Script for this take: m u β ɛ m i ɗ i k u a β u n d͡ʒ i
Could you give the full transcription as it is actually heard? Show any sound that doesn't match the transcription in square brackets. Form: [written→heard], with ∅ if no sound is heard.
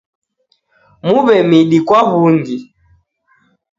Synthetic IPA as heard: m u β ɛ m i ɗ i k [u→w] a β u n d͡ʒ i

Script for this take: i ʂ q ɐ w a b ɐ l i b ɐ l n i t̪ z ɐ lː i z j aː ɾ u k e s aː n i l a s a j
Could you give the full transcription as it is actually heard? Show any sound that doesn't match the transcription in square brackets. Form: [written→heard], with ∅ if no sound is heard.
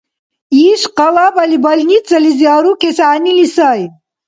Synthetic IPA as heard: i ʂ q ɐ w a b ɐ l i b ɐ l n i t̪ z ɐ [lː→l] i z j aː ɾ u k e s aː n i l [a→i] s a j

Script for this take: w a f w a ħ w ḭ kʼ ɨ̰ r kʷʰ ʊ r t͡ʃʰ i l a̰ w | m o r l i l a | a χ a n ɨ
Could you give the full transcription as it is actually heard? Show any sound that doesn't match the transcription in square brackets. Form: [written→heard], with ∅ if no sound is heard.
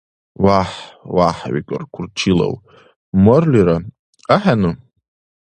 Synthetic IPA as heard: w a [f→ħ] w a ħ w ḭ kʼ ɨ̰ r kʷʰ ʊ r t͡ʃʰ i l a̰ w | m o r l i [l→ɾ] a | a [χ→ħ] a n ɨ

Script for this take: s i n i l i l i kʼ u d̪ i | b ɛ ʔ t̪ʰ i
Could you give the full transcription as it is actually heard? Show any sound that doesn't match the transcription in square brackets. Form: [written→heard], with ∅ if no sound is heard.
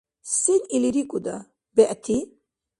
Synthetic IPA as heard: s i n i l i [l→ɾ] i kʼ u d̪ [i→a] | b ɛ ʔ t̪ʰ i

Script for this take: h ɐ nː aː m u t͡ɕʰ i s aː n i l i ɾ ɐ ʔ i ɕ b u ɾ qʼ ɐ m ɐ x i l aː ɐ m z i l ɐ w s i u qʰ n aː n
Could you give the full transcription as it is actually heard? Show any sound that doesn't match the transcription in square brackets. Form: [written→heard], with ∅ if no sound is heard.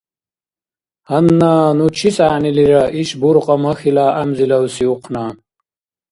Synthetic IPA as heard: h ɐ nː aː [m→n] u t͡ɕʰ i s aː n i l i ɾ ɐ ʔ i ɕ b u ɾ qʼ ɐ m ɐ x i l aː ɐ m z i l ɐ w s i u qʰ n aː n

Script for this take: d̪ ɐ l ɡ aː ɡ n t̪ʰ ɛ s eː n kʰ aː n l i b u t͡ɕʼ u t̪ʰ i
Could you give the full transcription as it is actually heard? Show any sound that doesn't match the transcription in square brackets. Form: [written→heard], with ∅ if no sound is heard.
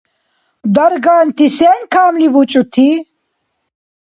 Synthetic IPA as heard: d̪ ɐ [l→ɾ] ɡ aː [ɡ→∅] n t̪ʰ [ɛ→i] s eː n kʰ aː [n→m] l i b u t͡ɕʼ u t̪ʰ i

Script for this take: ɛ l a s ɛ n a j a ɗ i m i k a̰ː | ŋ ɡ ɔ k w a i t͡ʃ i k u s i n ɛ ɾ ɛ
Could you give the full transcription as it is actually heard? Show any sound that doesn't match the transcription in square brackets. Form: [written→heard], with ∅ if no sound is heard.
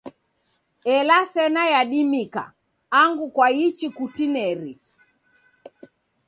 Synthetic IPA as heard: ɛ l a s ɛ n a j a ɗ i m i k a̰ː | ŋ ɡ [ɔ→u] k w a i t͡ʃ i k u [s→t] i n ɛ ɾ [ɛ→i]

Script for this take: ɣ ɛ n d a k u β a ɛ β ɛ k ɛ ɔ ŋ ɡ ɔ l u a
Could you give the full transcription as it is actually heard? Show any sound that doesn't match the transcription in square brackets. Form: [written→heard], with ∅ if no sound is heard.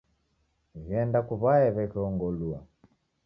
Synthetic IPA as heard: ɣ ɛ n d a k u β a ɛ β ɛ k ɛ ɔ ŋ ɡ ɔ l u a

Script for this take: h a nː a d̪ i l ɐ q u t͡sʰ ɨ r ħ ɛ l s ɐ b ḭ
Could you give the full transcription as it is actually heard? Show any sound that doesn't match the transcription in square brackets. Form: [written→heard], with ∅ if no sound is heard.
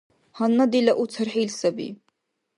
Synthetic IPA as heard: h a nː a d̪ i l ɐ [q→ʔ] u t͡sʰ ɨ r ħ [ɛ→i] l s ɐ b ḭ

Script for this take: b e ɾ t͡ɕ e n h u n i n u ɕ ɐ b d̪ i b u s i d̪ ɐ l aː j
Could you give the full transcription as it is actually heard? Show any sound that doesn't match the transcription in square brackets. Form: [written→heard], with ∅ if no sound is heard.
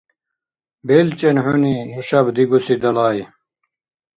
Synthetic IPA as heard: b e [ɾ→l] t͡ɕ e n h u n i n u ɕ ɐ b d̪ i [b→ɡ] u s i d̪ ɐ l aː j

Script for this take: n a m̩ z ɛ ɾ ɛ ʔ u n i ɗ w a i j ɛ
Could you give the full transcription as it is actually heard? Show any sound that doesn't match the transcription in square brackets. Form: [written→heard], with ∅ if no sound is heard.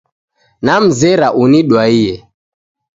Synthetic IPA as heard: n a m̩ z ɛ ɾ [ɛ→a] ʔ u n i ɗ w a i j ɛ

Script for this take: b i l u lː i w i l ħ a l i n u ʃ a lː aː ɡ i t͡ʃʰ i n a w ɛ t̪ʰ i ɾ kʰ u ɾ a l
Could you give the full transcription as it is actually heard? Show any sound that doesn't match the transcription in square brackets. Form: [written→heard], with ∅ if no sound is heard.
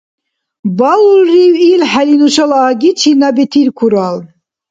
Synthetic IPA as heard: b [i→a] l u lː i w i l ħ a l i n u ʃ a [lː→l] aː ɡ i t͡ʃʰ i n a [w→b] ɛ t̪ʰ i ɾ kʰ u ɾ a l

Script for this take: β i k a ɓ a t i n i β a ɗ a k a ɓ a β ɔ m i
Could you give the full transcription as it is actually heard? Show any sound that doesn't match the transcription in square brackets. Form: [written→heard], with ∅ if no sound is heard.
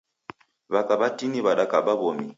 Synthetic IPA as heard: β [i→a] k a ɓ a t i n i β a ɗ a k a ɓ a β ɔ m i

